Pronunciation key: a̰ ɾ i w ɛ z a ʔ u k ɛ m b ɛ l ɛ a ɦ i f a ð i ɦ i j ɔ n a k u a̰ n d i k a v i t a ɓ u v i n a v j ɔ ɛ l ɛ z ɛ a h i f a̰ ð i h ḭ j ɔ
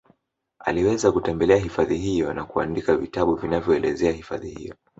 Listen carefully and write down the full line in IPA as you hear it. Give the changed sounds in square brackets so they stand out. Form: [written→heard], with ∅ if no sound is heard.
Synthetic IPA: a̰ [ɾ→l] i w ɛ z a [ʔ→k] u [k→t] ɛ m b ɛ l ɛ a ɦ i f a ð i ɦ i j ɔ n a k u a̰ n d i k a v i t a ɓ u v i n a v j ɔ ɛ l ɛ z ɛ a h i f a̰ ð i h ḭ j ɔ